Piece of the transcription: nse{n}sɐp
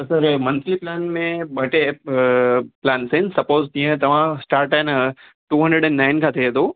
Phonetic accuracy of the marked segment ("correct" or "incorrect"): correct